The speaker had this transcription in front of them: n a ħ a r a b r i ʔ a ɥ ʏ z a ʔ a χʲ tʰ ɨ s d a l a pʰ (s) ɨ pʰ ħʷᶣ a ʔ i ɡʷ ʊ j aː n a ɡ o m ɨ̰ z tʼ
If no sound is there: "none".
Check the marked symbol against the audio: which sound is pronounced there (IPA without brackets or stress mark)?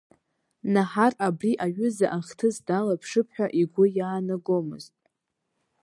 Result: ʂ